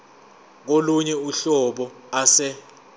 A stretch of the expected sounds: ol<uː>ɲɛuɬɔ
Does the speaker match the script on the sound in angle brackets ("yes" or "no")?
no